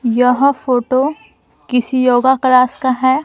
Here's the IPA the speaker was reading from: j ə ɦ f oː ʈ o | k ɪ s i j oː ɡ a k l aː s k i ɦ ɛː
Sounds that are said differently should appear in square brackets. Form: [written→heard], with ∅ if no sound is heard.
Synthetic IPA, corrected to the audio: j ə ɦ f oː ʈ o | k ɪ s i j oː ɡ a k l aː s k [i→a] ɦ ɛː